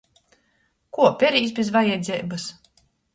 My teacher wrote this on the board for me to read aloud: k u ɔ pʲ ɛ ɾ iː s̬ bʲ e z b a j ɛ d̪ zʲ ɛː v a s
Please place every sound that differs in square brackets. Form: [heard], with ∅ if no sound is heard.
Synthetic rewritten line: k u ɔ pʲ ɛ ɾ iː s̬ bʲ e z [v] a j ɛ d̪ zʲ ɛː [b] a s